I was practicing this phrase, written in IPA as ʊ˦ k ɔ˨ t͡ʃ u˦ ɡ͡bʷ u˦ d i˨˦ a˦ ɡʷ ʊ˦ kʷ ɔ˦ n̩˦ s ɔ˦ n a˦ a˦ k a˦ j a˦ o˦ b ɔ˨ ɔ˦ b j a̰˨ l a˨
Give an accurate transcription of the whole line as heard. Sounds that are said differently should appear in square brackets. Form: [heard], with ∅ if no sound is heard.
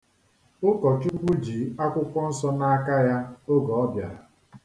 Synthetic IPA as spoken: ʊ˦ k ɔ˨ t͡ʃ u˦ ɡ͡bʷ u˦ [d͡ʒ] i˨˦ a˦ [kʷ] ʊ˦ kʷ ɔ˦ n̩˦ s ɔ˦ n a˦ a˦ k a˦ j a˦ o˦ [ɡ] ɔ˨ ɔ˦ b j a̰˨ [ɾ] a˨